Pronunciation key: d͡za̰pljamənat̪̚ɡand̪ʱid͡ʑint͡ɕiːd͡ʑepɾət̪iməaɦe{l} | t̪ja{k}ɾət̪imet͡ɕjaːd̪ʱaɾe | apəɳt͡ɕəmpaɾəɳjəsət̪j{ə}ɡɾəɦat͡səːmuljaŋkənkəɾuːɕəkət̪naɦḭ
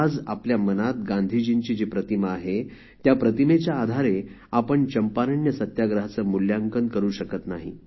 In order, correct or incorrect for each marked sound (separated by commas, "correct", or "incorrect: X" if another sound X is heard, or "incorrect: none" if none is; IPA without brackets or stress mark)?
incorrect: none, incorrect: p, incorrect: a